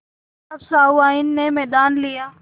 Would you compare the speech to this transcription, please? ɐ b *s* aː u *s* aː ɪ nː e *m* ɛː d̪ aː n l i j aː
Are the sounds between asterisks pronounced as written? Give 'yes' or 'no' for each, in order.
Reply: yes, no, yes

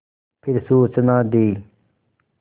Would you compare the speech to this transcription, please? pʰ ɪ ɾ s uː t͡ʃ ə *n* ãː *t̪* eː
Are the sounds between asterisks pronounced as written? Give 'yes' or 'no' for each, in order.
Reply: yes, no

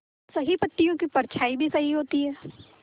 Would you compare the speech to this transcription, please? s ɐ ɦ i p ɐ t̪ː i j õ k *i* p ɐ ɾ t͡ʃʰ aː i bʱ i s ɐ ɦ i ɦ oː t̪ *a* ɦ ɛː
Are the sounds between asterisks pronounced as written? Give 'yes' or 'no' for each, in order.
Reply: yes, no

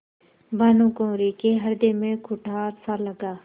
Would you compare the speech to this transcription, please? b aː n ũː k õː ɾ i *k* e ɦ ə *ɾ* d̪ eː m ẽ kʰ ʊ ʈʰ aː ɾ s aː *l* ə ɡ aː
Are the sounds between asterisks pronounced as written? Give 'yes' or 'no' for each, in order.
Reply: yes, yes, yes

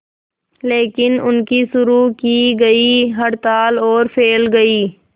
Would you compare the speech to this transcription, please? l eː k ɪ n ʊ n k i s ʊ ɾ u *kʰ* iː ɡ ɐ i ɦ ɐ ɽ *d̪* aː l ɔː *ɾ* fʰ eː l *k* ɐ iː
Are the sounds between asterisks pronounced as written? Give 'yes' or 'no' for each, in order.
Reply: no, no, yes, no

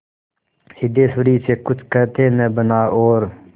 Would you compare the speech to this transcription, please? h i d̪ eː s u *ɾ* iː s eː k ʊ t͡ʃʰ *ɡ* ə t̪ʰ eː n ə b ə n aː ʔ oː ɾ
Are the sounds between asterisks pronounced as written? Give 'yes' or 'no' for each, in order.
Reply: yes, no

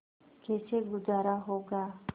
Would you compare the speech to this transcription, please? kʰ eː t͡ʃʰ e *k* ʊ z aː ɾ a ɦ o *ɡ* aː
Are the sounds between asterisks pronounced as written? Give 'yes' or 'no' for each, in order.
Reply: no, yes

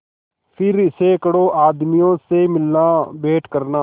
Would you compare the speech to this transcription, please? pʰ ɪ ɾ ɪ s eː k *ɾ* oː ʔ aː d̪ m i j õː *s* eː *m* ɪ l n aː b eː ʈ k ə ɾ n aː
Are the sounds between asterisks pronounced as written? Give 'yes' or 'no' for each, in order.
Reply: no, yes, yes

